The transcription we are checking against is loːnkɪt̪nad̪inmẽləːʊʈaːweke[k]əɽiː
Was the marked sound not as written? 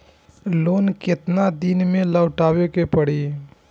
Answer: yes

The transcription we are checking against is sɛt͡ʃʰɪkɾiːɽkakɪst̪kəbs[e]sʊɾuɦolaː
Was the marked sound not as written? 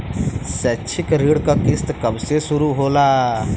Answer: no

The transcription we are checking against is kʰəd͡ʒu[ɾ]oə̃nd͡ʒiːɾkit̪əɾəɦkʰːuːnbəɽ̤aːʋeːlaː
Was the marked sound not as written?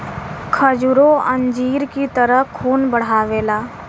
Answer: no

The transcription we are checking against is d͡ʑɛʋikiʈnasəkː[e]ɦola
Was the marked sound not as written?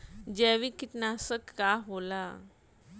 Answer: yes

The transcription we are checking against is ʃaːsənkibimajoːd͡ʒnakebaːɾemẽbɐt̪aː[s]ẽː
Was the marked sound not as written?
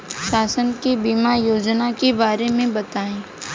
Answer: yes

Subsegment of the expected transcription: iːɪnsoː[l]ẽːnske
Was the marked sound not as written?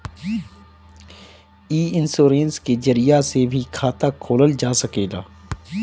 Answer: yes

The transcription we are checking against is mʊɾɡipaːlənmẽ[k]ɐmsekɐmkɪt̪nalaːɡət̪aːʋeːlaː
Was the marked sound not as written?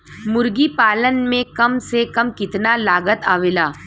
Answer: no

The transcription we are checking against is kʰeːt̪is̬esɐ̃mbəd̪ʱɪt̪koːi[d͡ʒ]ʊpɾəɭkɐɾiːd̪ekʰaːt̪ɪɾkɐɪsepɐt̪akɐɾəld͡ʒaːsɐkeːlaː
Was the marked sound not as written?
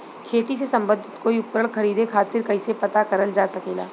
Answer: yes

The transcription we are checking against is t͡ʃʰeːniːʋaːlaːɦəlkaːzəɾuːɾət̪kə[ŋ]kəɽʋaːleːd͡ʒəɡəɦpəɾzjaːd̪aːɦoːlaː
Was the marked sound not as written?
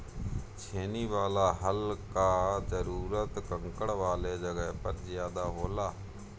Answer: no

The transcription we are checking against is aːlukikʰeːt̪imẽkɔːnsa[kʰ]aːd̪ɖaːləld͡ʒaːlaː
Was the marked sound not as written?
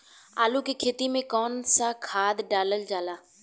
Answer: no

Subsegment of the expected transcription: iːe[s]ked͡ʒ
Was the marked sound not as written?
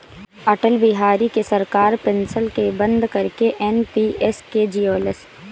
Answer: no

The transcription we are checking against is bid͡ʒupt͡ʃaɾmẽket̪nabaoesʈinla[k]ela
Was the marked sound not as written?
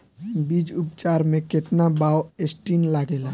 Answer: yes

